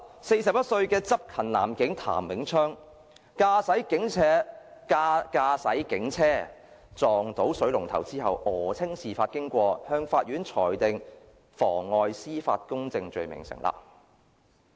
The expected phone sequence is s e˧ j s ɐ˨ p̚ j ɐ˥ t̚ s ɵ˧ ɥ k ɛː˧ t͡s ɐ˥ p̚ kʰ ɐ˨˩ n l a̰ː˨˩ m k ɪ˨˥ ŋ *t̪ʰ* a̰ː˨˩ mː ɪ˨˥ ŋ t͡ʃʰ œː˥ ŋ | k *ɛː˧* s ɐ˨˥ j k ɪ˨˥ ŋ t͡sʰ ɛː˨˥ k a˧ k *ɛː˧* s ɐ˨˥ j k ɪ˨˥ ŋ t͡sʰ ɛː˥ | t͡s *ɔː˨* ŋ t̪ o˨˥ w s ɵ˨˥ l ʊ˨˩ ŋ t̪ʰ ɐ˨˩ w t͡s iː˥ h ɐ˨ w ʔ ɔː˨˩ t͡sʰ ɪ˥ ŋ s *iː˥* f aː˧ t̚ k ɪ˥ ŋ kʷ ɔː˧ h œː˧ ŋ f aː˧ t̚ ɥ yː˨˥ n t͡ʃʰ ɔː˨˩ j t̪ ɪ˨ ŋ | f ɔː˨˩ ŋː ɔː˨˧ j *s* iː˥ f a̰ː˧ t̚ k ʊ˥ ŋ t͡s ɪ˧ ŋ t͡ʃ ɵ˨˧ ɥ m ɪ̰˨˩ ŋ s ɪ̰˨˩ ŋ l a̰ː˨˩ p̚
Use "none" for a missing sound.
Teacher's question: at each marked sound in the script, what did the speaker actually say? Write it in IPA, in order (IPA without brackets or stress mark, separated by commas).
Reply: t̪ʰ, aː˧, aː˧, ɔː˨, iː˨˩, s